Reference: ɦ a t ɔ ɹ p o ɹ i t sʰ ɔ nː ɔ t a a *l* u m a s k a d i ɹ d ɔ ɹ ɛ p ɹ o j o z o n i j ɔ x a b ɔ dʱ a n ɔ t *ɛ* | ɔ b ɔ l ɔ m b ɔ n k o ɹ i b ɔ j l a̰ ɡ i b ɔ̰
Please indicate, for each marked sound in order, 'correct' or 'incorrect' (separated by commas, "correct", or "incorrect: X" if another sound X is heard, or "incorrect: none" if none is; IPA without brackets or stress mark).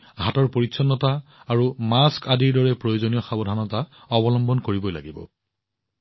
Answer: incorrect: ɹ, incorrect: a